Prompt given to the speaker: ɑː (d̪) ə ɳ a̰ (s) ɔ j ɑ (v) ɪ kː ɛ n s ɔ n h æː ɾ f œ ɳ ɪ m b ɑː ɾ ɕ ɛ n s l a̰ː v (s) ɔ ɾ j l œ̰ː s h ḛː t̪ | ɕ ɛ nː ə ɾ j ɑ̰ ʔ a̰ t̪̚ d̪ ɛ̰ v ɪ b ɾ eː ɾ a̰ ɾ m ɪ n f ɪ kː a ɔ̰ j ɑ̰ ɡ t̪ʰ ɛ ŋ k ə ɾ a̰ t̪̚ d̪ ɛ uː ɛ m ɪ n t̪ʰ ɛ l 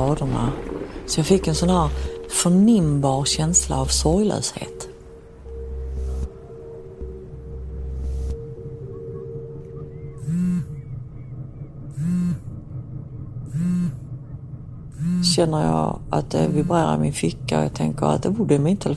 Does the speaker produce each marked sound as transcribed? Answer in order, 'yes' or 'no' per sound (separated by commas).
yes, yes, no, yes